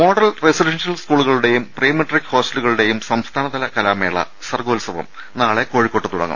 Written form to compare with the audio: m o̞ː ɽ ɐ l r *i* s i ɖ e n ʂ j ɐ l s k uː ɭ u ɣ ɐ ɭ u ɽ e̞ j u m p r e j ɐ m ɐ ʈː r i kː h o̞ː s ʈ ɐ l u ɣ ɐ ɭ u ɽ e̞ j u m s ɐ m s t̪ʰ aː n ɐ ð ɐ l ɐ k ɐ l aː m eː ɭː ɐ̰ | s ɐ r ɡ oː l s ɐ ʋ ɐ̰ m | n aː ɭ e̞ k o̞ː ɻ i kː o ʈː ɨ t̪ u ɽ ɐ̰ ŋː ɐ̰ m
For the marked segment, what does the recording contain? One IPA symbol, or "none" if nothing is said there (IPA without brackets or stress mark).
e